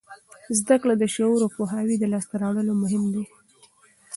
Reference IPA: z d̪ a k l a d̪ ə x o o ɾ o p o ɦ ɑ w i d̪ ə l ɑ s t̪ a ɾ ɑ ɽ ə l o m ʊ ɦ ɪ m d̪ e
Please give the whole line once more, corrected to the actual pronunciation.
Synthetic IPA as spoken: z d̪ a k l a d̪ ə ʃ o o ɾ o p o ɦ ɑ w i d̪ ə l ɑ s t̪ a ɾ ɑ ɽ ə l o m ʊ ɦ ɪ m d̪ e